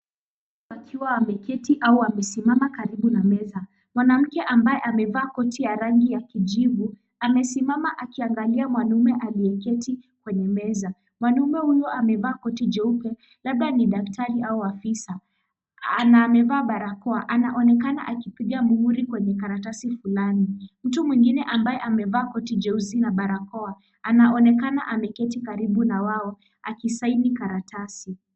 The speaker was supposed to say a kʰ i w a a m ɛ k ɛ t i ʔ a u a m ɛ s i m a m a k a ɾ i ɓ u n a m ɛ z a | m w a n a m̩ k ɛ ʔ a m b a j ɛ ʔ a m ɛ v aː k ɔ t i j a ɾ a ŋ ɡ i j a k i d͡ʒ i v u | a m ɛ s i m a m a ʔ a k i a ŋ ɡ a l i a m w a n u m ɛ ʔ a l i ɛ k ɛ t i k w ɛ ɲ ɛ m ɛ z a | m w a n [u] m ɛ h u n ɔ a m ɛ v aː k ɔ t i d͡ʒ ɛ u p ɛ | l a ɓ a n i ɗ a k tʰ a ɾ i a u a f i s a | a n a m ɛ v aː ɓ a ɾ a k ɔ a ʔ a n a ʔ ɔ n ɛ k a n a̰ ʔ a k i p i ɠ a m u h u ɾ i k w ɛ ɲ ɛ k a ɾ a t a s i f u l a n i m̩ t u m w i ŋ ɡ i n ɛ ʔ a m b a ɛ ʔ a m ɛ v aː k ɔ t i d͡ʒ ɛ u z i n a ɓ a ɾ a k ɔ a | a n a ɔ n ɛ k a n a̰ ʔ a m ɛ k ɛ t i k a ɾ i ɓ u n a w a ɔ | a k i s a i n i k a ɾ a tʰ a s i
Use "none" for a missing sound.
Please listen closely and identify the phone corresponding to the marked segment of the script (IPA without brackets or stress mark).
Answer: u